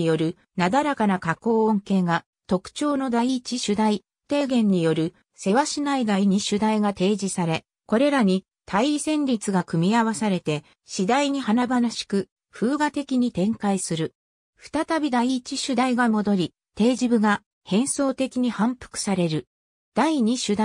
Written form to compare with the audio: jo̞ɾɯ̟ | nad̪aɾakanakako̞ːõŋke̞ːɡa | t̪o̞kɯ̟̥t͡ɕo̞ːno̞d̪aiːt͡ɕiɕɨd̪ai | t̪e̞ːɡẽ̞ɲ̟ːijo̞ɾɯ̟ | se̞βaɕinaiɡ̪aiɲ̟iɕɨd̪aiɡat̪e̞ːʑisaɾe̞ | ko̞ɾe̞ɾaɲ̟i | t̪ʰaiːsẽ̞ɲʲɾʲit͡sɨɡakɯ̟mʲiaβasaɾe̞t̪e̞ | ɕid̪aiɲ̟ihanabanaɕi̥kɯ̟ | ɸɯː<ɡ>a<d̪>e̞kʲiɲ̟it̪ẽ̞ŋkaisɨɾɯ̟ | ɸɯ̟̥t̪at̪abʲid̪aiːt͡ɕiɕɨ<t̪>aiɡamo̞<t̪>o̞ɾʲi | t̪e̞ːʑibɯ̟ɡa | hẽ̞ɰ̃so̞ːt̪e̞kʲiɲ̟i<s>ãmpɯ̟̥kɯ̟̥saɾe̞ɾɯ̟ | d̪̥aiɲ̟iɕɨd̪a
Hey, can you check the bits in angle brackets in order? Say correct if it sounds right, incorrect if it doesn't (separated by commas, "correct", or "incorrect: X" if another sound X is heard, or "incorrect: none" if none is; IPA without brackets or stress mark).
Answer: correct, incorrect: t̪, incorrect: d̪, incorrect: d̪, incorrect: h